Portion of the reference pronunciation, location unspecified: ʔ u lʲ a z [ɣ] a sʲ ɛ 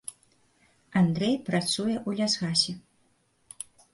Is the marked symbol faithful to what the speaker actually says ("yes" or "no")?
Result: yes